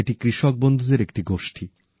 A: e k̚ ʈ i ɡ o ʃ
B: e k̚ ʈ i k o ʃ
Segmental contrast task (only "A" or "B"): A